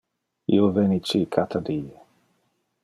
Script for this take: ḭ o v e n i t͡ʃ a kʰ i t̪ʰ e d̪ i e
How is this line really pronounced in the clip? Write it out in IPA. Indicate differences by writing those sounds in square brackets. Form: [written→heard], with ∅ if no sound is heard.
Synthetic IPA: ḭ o v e n i t͡ʃ [a→i] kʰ [i→a] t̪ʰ [e→a] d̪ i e